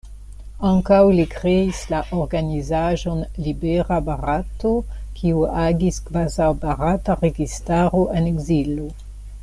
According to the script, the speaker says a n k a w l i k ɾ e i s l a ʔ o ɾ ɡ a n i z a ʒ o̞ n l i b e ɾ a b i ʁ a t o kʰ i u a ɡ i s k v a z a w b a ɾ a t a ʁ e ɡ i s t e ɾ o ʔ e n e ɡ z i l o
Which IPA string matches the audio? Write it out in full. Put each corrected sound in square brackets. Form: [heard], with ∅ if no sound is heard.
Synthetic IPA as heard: a [ŋ] k a w l i k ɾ e i s l a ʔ o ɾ ɡ a n i z a ʒ o̞ n l i b e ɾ a b [a] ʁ a t o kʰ i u a ɡ i s k v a z a w b a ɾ a t a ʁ e ɡ i s t [a] ɾ o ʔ e n e ɡ z i l o